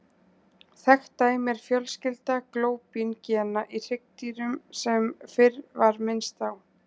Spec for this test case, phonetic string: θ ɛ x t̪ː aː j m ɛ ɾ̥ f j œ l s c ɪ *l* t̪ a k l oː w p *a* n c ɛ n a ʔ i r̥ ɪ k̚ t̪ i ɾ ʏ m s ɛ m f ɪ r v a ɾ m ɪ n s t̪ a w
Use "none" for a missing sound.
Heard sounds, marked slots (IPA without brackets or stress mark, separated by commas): l, i